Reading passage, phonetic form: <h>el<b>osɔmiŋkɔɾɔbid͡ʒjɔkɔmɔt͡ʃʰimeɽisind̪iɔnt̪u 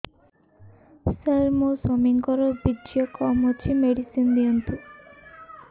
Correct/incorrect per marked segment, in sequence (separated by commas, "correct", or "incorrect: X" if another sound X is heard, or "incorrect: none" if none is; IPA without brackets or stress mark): incorrect: s, incorrect: m